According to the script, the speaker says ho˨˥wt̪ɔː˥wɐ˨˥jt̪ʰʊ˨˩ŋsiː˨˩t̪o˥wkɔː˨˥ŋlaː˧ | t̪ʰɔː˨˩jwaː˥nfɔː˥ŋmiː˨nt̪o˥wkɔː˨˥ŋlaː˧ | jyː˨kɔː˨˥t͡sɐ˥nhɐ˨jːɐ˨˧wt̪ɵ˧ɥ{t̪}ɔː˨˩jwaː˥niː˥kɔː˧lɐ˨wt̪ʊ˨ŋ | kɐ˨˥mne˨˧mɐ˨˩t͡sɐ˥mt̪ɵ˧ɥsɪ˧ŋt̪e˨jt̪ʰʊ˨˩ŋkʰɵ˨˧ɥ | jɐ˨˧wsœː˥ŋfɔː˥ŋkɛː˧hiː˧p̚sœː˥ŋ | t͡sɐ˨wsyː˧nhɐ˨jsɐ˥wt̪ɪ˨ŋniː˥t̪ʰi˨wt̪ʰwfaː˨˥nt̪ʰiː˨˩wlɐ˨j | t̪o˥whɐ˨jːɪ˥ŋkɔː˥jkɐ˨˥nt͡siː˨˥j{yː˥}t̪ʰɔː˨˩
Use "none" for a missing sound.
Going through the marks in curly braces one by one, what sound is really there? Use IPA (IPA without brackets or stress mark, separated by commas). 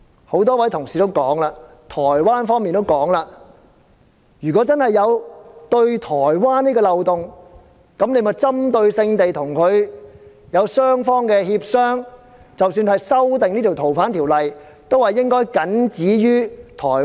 t̪ʰ, yː˥